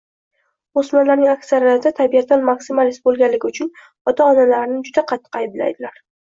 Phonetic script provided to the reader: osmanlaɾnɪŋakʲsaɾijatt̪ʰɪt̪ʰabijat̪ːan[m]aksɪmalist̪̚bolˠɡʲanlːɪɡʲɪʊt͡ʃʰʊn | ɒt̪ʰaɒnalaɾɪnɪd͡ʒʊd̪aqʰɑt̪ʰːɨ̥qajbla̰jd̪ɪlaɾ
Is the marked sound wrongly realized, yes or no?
no